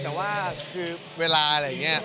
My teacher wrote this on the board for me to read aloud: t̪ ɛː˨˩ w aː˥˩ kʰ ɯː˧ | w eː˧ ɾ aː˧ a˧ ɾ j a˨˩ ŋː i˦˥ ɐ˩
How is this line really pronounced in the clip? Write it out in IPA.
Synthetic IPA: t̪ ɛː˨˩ w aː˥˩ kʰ ɯː˧ | w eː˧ l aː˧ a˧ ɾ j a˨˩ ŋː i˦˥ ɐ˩